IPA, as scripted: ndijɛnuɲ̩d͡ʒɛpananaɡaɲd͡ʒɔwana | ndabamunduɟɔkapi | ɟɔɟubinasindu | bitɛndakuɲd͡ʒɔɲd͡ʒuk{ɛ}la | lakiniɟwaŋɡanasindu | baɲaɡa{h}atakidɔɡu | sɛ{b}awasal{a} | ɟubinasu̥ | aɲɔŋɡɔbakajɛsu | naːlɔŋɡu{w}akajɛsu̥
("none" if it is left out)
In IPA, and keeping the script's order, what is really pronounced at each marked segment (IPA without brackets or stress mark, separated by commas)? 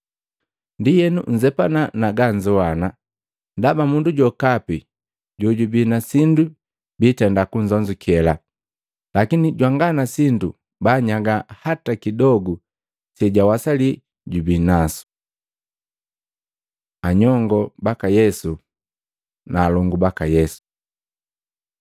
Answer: ɛ, h, ɟ, i, b